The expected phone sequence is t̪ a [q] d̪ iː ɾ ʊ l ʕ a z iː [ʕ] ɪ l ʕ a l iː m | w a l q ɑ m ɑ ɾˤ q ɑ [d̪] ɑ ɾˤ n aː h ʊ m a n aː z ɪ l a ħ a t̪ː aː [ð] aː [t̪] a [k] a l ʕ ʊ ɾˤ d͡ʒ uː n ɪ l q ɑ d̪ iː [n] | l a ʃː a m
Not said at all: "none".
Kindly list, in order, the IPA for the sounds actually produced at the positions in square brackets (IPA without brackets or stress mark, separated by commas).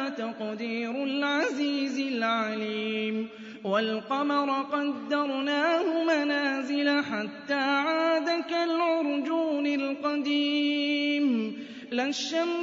q, z, d̪ː, ʕ, d̪, k, m